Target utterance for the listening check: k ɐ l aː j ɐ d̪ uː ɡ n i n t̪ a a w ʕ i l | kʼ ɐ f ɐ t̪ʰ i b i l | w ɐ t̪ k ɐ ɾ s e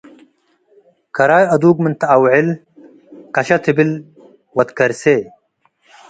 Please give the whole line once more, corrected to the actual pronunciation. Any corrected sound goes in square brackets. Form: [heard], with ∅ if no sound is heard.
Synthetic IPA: k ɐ [ɾ] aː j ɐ d̪ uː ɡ [m] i n t̪ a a w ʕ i l | [k] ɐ [ɕ] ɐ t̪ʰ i b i l | w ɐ t̪ k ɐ ɾ s e